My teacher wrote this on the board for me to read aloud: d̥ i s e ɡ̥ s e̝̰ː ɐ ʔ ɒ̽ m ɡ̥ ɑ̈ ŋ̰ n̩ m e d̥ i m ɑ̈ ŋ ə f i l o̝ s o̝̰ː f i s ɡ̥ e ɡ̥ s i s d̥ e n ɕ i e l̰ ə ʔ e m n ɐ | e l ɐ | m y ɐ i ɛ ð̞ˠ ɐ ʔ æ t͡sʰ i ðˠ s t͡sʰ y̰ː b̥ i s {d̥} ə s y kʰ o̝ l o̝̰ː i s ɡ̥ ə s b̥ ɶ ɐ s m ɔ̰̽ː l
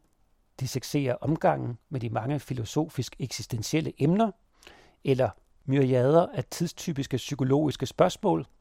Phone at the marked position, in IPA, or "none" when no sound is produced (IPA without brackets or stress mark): ɡ̥